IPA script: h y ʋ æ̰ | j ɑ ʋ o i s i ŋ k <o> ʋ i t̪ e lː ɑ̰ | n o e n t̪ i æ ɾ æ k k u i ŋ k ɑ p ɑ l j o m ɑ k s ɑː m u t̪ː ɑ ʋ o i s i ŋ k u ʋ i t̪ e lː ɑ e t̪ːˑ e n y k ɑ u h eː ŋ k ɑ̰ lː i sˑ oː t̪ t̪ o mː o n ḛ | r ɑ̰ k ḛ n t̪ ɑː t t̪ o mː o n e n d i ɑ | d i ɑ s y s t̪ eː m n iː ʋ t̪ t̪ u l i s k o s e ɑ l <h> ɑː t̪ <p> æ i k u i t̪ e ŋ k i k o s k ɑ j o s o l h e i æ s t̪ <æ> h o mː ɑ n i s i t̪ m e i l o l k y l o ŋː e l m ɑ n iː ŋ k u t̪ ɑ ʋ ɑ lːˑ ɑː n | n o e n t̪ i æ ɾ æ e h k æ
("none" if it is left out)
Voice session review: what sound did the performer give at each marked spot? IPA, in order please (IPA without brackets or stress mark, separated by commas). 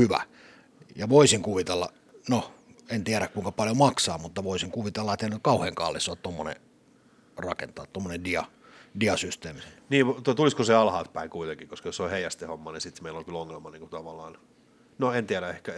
u, h, p, e